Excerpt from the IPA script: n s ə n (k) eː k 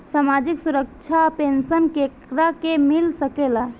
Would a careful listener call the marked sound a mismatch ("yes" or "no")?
no